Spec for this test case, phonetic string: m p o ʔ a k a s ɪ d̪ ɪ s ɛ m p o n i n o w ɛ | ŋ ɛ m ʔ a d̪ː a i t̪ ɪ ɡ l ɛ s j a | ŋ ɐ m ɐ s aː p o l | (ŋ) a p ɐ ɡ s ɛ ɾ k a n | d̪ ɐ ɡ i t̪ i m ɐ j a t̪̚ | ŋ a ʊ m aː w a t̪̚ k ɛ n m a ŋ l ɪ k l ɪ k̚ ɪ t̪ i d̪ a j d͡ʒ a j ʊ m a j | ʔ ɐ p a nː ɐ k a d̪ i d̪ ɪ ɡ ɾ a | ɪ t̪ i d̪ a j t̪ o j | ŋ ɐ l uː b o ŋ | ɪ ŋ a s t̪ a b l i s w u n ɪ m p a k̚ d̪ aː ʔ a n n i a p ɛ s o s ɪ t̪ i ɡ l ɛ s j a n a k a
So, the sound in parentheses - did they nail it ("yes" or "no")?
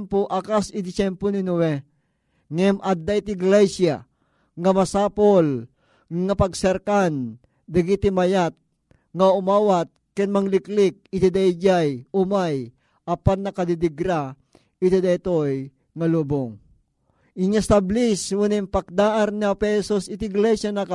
yes